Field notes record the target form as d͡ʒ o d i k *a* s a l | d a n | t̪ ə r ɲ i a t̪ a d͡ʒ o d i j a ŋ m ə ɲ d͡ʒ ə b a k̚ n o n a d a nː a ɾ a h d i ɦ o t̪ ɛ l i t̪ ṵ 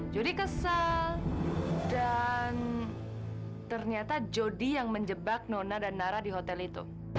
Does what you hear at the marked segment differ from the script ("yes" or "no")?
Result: yes